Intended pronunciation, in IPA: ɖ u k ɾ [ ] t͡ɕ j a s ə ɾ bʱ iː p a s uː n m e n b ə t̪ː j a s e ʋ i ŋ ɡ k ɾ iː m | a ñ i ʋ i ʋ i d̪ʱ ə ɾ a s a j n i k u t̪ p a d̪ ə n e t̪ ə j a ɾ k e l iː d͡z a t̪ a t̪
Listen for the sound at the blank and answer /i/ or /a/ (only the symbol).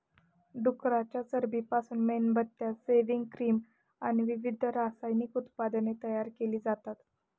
a